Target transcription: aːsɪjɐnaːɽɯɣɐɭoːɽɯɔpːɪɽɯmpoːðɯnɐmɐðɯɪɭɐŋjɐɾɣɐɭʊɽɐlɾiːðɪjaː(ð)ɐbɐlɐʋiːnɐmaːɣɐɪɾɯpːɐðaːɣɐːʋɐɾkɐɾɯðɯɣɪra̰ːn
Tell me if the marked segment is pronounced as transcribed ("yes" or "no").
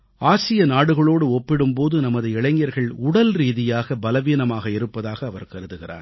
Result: no